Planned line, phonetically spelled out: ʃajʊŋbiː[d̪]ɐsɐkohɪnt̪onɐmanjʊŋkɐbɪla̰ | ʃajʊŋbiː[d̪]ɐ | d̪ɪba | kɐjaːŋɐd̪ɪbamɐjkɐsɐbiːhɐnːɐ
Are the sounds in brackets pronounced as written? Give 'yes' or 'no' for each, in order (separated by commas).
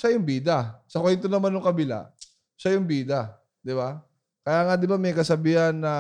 yes, yes